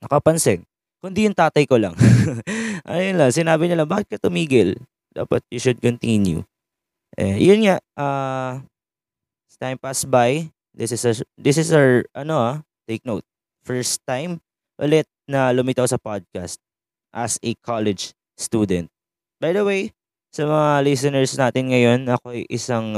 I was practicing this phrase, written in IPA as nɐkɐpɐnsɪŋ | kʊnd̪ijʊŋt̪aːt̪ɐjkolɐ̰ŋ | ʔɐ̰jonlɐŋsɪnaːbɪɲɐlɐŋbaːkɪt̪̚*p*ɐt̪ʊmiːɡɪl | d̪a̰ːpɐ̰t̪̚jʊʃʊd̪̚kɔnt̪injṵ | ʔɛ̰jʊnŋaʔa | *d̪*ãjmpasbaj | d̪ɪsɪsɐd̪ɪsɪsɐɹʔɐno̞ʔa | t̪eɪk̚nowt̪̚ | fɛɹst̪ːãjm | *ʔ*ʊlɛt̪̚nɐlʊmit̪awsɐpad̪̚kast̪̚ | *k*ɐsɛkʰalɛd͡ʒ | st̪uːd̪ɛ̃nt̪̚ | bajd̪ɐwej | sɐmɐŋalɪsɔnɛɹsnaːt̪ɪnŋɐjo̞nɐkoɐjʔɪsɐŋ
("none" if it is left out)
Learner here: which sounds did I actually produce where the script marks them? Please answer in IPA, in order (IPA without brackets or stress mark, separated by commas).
k, t̪, ʔ, ʔ